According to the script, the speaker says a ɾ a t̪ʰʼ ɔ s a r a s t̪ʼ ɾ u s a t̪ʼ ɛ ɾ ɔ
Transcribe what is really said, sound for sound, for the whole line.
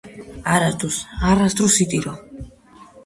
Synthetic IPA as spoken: a ɾ a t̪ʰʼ u s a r a s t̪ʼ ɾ u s i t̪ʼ i ɾ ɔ